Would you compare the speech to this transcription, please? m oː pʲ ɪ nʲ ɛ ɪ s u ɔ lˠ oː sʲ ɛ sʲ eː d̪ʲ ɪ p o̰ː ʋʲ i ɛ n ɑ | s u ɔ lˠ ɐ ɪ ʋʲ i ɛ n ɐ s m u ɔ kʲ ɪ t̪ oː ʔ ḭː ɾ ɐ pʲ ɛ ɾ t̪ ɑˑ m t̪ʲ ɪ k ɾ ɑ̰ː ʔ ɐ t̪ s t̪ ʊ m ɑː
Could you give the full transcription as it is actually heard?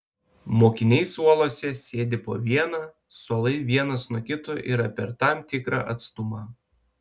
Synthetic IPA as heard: m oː kʲ ɪ nʲ ɛ ɪ s u ɔ lˠ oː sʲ ɛ sʲ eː d̪ʲ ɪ p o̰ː ʋʲ i ɛ n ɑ | s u ɔ lˠ ɐ ɪ ʋʲ i ɛ n ɐ s n u ɔ kʲ ɪ t̪ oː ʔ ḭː ɾ ɐ pʲ ɛ ɾ t̪ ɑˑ m t̪ʲ ɪ k ɾ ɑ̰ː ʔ ɐ t̪ s t̪ ʊ m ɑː

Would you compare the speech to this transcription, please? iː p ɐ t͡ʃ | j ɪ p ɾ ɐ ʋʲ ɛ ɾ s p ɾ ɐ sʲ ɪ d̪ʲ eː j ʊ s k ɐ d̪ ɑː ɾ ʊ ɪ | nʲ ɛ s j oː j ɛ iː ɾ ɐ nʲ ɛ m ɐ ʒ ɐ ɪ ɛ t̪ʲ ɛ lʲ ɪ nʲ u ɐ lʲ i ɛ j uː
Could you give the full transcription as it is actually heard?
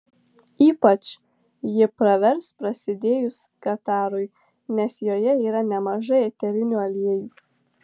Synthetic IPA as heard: iː p ɐ t͡ʃ | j ɪ p ɾ ɐ ʋʲ ɛ ɾ s p ɾ ɐ sʲ ɪ d̪ʲ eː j ʊ s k ɐ t̪ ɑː ɾ ʊ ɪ | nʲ ɛ s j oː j ɛ iː ɾ ɐ nʲ ɛ m ɐ ʒ ɐ ɪ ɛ t̪ʲ ɛ ɾʲ ɪ nʲ u ɐ lʲ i ɛ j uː

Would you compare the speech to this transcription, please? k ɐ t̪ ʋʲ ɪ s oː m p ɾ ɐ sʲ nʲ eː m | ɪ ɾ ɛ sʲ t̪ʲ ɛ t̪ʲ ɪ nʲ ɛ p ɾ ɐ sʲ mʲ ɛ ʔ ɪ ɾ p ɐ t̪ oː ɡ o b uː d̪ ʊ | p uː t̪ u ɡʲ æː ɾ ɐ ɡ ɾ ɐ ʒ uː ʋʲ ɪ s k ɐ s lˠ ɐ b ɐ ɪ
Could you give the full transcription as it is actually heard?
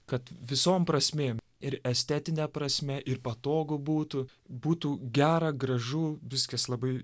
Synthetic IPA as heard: k ɐ t̪ ʋʲ ɪ s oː m p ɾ ɐ sʲ mʲ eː m | ɪ ɾ ɛ sʲ t̪ʲ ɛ t̪ʲ ɪ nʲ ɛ p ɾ ɐ sʲ mʲ ɛ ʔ ɪ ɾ p ɐ t̪ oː ɡ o b uː t̪ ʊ | b uː t̪ u ɡʲ æː ɾ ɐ ɡ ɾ ɐ ʒ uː ʋʲ ɪ s k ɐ s lˠ ɐ b ɐ ɪ

